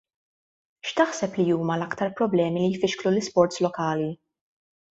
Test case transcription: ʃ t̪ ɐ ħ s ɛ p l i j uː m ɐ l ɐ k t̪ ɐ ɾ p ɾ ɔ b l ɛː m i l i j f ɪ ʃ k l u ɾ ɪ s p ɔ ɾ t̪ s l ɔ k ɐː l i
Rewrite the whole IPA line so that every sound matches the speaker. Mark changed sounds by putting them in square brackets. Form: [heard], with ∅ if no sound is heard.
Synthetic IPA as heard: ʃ t̪ ɐ ħ s ɛ p l i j uː m ɐ l ɐ k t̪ ɐ ɾ p ɾ ɔ b l ɛː m i l i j f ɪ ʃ k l u [l] ɪ s p ɔ ɾ t̪ s l ɔ k ɐː l i